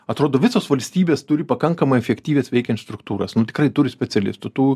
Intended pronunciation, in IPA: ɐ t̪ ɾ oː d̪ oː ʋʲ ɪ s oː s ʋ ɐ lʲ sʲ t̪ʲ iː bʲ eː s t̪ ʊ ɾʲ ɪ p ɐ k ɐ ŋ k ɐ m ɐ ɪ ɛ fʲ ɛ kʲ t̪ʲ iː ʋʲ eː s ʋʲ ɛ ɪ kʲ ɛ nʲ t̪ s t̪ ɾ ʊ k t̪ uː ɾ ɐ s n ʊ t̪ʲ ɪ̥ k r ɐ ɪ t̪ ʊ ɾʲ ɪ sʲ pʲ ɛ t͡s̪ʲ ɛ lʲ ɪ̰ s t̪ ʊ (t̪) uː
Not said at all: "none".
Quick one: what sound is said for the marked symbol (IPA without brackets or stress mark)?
t̪